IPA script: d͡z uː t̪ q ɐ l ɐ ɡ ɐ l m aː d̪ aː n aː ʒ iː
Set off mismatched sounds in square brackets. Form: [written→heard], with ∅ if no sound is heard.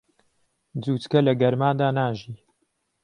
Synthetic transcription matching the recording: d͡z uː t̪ [q→k] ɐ l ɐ ɡ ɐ [l→ɾ] m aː d̪ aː n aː ʒ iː